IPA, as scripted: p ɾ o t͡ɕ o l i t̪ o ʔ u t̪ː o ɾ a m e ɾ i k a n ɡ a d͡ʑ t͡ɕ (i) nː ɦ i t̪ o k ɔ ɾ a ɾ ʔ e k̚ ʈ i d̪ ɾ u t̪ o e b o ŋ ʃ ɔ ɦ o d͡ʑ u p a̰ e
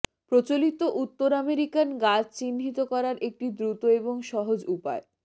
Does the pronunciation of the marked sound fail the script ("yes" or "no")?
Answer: no